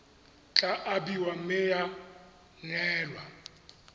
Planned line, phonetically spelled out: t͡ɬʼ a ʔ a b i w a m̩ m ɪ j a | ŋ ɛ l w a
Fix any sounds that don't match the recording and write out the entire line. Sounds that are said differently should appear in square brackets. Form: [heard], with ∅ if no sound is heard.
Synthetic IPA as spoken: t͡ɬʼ a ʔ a b i w a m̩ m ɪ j a | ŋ [ɛː] l w a